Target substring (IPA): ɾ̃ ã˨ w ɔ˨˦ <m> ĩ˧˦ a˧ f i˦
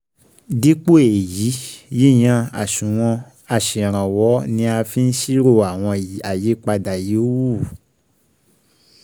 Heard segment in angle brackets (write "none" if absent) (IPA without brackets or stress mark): n